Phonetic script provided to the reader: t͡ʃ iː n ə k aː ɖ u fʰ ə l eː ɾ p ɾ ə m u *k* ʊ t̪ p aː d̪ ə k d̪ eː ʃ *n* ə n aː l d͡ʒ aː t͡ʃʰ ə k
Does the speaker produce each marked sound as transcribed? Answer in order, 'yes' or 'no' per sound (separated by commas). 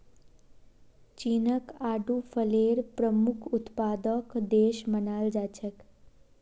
no, no